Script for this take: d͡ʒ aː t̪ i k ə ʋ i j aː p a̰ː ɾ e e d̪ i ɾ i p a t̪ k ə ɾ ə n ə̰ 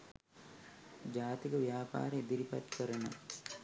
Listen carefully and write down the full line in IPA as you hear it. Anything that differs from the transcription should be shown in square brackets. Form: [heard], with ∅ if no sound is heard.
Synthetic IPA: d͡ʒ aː t̪ i k ə ʋ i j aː p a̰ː ɾ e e d̪ i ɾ i p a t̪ k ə ɾ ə n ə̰